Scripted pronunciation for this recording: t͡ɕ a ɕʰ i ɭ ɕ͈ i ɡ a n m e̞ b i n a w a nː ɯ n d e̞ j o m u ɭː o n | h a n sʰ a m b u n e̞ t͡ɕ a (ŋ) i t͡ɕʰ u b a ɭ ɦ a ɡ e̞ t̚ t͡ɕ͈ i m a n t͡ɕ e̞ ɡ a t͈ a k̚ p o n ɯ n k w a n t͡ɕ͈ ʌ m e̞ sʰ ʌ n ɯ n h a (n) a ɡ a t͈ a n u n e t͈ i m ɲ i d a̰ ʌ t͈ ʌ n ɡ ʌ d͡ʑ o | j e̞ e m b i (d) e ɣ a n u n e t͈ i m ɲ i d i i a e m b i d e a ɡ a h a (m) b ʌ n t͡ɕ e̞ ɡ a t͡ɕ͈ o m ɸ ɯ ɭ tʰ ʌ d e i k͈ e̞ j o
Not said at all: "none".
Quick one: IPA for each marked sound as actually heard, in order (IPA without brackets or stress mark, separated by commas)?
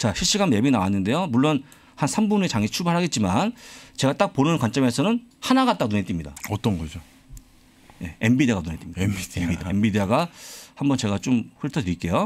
ŋ, n, d, m